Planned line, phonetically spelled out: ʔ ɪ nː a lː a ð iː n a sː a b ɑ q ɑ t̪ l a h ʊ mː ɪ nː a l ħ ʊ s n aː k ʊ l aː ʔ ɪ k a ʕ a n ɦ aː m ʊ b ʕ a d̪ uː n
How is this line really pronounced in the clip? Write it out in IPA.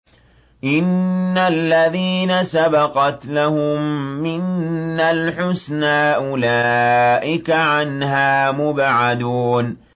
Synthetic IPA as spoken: ʔ ɪ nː a lː a ð iː n a s a b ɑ q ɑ t̪ l a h ʊ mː ɪ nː a l ħ ʊ s n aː ʔ ʊ l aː ʔ ɪ k a ʕ a n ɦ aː m ʊ b ʕ a d̪ uː n